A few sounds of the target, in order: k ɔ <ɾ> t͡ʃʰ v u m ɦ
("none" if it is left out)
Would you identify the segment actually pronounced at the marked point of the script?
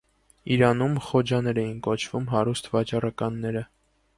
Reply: none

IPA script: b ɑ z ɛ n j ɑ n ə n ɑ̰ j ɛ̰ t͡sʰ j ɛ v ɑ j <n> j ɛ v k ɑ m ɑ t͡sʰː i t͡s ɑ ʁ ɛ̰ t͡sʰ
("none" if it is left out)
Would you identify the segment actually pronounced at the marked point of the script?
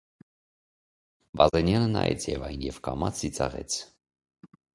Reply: n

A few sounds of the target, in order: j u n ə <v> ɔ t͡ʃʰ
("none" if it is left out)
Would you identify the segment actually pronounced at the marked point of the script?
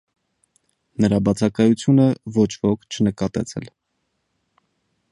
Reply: v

